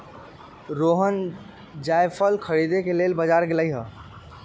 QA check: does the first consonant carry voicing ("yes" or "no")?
yes